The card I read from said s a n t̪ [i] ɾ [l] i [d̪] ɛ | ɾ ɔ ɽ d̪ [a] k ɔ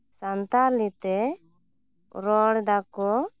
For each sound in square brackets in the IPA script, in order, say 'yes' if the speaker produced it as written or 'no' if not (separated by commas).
no, yes, no, yes